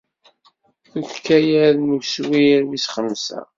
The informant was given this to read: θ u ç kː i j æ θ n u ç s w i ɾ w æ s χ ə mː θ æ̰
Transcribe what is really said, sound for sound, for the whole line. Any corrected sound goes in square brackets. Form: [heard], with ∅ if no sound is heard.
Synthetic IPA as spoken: θ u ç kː [æ] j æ [ð] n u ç s w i ɾ w [i] s χ ə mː [s] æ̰

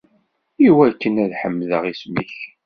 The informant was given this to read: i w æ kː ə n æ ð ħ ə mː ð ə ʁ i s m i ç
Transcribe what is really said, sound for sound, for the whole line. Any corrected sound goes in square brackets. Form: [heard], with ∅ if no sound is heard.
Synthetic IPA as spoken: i w æ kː ə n æ ð ħ ə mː ð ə ʁ i s m i ç

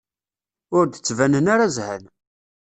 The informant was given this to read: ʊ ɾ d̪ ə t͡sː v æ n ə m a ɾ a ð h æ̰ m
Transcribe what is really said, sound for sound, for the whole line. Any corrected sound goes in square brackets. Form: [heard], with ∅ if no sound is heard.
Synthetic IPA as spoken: ʊ ɾ d̪ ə t͡sː v æ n ə [n] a ɾ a [z] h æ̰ [n]

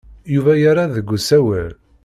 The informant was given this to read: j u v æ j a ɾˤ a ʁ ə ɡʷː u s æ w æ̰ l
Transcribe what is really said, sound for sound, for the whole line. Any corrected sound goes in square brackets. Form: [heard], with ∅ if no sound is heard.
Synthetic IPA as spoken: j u v æ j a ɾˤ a [ð] ə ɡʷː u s æ w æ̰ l

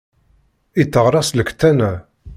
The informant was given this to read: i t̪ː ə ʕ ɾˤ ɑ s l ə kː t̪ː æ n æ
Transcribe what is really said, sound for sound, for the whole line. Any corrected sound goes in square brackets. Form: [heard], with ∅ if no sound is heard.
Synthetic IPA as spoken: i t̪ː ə [ʁ] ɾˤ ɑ s l ə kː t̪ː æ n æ

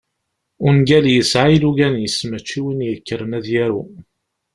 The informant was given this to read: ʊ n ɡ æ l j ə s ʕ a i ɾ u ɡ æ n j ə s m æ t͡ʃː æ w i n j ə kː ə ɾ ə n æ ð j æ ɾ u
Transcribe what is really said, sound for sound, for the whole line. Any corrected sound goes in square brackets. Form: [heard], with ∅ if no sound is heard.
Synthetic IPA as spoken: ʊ n ɡ æ l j ə s ʕ a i [l] u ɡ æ n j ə s m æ t͡ʃː [i] w i n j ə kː ə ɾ ə n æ ð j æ ɾ u

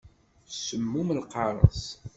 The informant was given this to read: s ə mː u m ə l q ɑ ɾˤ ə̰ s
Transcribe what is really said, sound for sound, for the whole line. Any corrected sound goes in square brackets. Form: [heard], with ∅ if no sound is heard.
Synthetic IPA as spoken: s ə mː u m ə l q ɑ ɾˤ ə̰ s

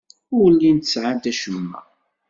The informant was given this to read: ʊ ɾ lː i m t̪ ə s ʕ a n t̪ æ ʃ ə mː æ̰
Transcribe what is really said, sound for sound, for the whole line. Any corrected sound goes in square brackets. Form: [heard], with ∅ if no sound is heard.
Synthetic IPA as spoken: ʊ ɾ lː i [n] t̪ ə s ʕ a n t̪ æ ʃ ə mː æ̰

